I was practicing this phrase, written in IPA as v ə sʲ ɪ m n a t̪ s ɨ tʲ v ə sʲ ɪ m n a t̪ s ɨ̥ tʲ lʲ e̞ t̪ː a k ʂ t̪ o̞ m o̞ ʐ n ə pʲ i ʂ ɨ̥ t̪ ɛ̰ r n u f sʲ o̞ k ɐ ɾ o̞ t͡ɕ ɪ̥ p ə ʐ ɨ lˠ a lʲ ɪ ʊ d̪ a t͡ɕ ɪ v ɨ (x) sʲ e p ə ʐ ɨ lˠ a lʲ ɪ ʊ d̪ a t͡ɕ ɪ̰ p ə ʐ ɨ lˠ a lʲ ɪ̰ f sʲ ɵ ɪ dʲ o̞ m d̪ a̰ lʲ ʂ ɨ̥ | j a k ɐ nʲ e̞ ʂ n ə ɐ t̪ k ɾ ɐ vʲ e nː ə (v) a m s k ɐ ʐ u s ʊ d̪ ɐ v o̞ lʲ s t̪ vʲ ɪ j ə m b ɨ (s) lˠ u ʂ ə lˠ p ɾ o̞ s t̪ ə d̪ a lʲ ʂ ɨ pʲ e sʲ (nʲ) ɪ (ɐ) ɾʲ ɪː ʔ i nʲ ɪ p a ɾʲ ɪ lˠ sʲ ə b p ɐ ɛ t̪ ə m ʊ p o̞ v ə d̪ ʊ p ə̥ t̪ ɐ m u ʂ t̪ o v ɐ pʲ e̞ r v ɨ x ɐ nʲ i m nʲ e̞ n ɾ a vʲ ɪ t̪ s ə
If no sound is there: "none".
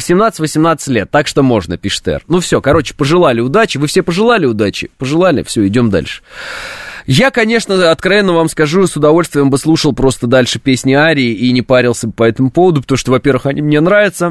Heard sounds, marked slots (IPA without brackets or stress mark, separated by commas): f, v, s, nʲ, a